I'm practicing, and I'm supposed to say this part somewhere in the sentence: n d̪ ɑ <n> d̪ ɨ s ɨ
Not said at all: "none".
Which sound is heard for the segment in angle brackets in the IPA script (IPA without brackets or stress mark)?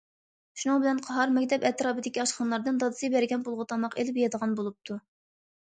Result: none